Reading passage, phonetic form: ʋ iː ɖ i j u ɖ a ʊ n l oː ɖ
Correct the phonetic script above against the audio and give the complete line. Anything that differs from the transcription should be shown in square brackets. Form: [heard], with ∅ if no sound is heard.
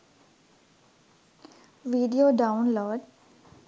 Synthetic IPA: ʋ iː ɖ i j [o] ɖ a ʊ n l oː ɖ